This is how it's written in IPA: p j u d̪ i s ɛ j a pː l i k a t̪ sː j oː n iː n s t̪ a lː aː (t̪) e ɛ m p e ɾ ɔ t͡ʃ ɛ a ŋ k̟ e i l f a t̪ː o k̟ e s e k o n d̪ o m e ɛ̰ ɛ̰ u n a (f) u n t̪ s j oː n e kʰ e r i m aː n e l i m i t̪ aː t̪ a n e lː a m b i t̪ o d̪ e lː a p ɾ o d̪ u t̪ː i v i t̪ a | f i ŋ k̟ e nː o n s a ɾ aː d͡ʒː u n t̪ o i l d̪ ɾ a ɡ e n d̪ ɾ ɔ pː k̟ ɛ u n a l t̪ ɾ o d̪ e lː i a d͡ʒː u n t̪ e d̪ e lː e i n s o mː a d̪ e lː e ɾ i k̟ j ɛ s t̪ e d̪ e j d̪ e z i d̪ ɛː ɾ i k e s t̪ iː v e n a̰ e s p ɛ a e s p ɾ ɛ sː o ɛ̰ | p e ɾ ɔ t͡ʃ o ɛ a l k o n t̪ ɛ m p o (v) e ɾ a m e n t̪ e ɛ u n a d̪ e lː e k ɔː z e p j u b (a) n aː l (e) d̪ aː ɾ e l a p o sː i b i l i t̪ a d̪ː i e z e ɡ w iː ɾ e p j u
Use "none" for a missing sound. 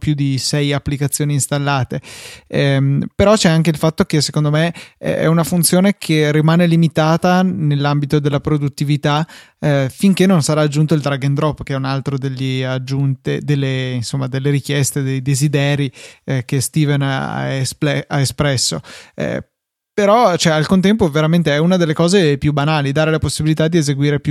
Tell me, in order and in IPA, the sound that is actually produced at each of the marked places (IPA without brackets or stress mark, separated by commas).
t̪, f, v, a, i